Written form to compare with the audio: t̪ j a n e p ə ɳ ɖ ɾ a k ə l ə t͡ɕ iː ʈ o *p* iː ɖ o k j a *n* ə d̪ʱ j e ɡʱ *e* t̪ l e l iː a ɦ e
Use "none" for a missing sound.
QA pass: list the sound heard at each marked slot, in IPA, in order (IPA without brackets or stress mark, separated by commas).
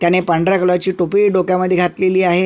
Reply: p, m, a